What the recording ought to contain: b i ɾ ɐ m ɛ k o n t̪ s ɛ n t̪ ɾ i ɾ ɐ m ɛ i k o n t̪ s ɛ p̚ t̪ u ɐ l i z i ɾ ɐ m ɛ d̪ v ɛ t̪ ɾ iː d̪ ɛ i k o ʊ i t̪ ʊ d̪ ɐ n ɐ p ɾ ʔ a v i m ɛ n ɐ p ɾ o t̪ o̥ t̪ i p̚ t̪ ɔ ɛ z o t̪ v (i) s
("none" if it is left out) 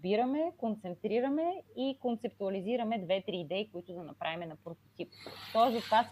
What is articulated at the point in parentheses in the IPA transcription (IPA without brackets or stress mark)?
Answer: a